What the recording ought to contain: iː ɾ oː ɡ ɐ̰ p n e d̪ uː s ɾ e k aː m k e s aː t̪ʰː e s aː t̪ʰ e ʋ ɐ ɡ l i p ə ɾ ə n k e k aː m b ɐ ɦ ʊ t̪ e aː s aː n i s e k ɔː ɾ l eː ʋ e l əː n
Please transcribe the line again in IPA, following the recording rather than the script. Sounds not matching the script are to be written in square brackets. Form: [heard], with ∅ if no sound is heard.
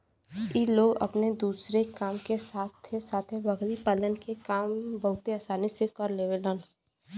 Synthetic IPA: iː [l] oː ɡ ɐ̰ p n e d̪ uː s ɾ e k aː m k e s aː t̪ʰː e s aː t̪ʰ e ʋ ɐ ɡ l i p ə [l] ə n k e k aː m b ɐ ɦ ʊ t̪ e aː s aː n i s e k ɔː ɾ l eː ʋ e l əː n